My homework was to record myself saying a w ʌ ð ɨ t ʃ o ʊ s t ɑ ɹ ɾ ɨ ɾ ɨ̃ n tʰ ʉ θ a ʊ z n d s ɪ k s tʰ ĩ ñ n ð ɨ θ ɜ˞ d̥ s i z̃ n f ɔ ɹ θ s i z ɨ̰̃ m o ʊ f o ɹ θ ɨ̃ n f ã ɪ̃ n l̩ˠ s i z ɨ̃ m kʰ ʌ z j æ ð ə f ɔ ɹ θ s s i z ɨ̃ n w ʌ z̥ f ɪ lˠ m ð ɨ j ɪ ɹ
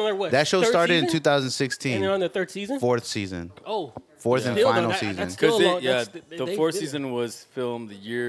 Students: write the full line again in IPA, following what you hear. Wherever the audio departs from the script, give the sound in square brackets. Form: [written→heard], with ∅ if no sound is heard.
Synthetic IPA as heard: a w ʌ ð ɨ t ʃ o ʊ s t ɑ ɹ ɾ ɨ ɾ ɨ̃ n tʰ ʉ θ a ʊ z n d s ɪ k s tʰ ĩ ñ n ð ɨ θ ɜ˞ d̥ s i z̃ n f ɔ ɹ θ s i z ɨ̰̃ [m→n] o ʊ f [o→ɔ] ɹ θ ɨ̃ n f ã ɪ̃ n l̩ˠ s i z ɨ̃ [m→n] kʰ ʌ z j æ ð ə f ɔ ɹ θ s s i z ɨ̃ n w ʌ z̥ f ɪ lˠ m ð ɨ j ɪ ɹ